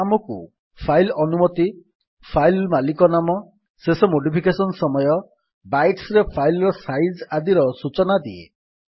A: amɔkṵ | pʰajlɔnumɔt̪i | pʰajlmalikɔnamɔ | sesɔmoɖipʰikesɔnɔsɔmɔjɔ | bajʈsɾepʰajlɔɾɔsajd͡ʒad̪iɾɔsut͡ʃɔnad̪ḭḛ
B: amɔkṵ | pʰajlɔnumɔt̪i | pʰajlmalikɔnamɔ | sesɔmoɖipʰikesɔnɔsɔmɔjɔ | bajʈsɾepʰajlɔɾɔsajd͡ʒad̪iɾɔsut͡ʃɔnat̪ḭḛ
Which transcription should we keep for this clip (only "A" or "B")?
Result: A